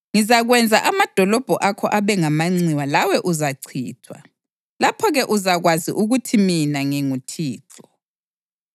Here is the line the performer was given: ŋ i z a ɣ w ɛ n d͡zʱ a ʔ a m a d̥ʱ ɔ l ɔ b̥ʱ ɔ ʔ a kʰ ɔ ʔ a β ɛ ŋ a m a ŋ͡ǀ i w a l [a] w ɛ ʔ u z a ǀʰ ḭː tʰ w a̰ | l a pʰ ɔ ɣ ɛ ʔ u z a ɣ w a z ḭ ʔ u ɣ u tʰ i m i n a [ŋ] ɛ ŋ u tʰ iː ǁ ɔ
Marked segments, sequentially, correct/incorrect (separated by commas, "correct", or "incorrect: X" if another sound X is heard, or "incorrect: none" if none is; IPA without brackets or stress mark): correct, correct